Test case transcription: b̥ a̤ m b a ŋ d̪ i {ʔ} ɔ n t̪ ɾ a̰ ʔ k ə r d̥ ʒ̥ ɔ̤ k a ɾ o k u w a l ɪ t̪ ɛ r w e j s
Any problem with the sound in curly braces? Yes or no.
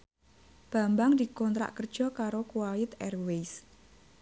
yes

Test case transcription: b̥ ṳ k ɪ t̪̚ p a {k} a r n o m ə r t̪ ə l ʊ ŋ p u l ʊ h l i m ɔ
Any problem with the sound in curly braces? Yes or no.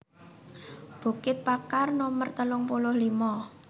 no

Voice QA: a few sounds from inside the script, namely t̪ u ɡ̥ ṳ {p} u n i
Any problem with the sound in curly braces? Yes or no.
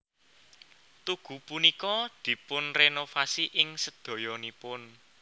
no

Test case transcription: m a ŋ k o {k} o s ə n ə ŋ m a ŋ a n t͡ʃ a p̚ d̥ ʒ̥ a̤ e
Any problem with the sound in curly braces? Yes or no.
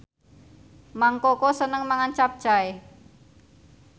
no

